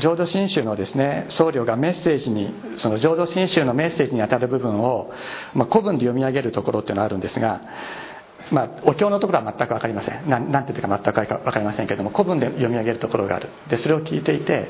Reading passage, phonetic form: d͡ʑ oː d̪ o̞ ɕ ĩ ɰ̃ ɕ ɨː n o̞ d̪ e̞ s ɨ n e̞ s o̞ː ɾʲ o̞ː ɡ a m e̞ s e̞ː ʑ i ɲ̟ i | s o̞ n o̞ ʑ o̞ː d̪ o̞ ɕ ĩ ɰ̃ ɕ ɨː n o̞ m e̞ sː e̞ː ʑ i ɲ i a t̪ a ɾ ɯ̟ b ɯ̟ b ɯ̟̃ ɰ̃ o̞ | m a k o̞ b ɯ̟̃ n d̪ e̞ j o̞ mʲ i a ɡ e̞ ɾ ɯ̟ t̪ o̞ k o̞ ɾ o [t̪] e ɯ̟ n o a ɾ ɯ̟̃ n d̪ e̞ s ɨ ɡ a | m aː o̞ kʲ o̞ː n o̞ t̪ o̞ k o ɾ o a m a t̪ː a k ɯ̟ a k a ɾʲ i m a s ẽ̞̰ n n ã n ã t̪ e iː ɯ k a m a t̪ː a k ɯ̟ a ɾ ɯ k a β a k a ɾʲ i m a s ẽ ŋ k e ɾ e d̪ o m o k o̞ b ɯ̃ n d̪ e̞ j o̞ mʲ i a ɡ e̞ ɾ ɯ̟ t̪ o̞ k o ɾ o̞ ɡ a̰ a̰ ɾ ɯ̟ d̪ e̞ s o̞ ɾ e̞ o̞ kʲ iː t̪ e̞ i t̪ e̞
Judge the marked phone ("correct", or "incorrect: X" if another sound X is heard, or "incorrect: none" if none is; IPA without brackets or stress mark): correct